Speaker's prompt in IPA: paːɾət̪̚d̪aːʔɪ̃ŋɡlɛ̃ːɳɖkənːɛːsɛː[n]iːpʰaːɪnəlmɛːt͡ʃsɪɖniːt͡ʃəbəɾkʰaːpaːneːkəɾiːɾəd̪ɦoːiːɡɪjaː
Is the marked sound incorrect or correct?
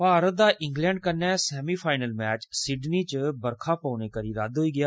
incorrect